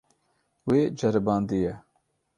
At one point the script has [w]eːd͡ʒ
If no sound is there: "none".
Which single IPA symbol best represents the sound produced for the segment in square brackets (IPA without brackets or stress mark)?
w